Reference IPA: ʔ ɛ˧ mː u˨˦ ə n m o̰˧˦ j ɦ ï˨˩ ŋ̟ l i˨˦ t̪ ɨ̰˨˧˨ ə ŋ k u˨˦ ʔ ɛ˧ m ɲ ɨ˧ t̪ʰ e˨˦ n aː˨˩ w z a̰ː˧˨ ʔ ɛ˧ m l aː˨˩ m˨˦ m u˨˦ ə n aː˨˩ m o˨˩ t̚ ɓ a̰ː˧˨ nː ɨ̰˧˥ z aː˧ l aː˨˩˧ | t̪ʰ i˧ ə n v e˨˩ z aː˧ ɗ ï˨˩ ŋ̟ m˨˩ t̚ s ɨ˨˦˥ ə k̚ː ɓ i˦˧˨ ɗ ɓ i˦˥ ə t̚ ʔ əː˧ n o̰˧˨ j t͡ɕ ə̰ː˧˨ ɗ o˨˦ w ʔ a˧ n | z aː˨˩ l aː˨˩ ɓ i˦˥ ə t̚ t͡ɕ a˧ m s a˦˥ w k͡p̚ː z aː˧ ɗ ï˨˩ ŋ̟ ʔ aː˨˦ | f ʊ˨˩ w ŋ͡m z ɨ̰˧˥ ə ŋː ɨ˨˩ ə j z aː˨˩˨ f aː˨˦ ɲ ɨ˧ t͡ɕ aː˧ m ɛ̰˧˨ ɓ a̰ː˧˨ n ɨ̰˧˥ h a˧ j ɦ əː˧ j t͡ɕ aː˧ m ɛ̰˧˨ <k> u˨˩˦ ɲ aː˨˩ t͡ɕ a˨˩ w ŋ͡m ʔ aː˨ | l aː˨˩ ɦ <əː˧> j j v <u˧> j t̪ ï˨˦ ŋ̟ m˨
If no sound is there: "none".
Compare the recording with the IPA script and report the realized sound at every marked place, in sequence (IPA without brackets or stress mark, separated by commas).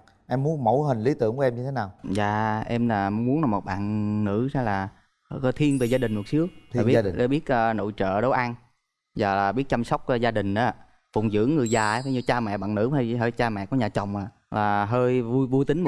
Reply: k, əː˧, u˧